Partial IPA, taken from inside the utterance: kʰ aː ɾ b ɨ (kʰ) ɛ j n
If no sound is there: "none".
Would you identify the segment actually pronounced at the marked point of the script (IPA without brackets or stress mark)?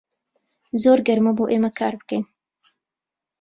k